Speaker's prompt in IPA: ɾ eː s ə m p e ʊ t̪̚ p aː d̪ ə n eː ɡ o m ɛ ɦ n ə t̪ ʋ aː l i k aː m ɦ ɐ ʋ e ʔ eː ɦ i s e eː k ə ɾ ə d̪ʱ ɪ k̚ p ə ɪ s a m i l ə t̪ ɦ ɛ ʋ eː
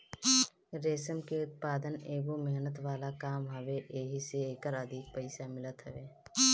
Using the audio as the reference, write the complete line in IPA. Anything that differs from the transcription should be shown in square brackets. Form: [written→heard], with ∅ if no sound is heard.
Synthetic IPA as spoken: ɾ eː s ə m [p→k] e ʊ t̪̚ p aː d̪ ə n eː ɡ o m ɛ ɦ n ə t̪ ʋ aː l [i→a] k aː m ɦ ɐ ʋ e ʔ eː ɦ i s e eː k ə ɾ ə d̪ʱ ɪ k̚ p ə ɪ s a m [i→ɪ] l ə t̪ ɦ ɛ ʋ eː